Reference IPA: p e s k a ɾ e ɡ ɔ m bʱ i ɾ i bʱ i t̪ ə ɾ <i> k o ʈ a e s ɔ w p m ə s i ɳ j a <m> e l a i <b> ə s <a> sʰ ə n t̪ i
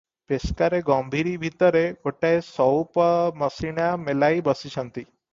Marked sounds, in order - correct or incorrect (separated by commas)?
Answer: incorrect, correct, correct, incorrect